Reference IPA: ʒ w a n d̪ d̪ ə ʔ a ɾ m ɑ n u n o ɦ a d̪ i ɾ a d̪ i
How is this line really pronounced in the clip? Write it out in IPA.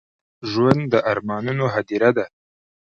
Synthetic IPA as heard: ʒ w a n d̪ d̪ ə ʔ a ɾ m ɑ n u n o ɦ a d̪ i ɾ a d̪ a